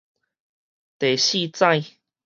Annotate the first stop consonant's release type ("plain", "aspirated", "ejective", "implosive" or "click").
plain